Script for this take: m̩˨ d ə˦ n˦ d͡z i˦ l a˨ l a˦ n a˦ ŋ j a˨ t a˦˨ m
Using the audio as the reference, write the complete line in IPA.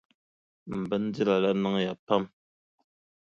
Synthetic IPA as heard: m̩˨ b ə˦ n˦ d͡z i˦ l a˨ l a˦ n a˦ ŋ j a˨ p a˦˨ m